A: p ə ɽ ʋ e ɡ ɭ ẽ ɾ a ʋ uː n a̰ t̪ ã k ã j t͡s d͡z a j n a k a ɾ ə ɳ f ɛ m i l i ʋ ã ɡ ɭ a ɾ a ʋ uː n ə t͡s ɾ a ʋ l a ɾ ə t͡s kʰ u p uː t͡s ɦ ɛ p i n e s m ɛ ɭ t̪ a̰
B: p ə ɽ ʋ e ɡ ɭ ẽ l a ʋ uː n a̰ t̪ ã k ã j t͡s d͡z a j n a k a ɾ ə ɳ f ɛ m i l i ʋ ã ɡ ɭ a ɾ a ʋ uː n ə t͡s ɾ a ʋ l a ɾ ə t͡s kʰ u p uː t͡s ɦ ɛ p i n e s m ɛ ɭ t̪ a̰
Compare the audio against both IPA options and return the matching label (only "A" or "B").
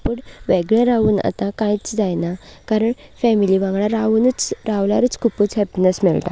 A